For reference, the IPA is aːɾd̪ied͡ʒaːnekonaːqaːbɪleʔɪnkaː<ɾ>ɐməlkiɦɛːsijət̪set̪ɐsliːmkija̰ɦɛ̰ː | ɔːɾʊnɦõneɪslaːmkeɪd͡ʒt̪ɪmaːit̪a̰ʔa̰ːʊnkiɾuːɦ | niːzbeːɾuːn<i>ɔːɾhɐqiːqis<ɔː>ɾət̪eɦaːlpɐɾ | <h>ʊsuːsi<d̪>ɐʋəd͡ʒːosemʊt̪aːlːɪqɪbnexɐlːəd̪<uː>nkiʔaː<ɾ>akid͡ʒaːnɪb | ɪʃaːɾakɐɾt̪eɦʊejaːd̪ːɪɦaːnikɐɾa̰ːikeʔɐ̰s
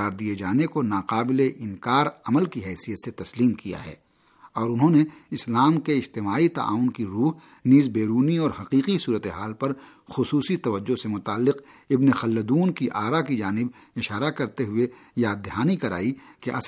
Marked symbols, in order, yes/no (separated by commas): yes, yes, no, no, no, yes, yes